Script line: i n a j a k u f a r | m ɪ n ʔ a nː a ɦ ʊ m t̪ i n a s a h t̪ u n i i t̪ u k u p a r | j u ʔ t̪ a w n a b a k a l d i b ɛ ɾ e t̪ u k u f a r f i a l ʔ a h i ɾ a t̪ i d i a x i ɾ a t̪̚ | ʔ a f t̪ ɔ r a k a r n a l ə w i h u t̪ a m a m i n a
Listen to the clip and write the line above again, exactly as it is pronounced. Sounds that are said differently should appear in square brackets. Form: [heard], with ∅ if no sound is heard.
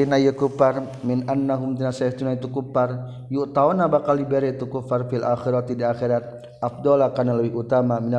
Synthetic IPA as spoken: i n a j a k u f a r | m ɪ n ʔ a nː a ɦ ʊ m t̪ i n a s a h t̪ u n [a] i t̪ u k u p a r | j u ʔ t̪ a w n a b a k a l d i b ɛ ɾ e t̪ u k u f a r f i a l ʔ a [x] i ɾ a t̪ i d i a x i ɾ a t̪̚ | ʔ a f [d̪] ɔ [l] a k a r n a l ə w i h u t̪ a m a m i n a